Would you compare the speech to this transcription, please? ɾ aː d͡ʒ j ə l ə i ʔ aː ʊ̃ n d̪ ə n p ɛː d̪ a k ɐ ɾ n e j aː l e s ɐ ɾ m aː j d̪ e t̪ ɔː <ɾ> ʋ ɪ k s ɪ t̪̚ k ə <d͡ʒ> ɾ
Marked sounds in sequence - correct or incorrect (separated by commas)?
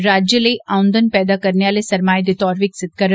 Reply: correct, incorrect